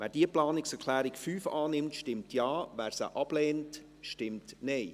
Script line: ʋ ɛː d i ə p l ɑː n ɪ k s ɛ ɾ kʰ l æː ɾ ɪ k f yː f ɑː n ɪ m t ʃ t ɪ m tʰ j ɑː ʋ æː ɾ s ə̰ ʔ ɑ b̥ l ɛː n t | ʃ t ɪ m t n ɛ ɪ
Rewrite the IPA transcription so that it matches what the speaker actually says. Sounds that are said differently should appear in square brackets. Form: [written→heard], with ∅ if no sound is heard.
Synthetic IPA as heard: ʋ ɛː d i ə p l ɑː n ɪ k s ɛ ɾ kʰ l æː ɾ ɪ k f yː f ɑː n ɪ m t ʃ t ɪ m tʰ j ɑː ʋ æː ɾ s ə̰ ʔ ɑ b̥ l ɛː n t | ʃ t ɪ m t n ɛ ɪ